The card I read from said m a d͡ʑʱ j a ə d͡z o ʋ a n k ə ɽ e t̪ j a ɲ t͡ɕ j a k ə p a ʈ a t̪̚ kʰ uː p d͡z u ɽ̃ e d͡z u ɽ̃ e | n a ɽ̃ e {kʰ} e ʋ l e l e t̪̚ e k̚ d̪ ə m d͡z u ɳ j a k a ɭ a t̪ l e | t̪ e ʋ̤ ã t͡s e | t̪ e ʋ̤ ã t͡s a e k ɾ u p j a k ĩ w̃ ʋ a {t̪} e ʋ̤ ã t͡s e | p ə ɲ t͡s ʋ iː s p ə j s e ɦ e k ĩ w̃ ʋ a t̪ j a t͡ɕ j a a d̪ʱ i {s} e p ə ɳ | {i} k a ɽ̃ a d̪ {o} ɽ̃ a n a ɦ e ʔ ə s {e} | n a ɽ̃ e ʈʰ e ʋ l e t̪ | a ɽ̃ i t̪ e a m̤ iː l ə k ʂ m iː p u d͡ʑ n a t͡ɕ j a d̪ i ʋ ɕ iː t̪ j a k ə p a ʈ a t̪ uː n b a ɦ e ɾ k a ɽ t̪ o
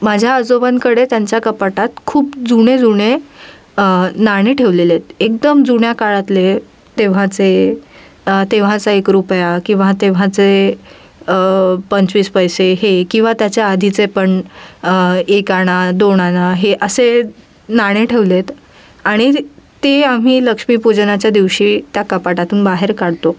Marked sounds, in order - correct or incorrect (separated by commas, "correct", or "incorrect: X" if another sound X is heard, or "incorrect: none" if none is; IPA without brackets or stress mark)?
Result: incorrect: ʈʰ, correct, incorrect: t͡s, incorrect: e, correct, correct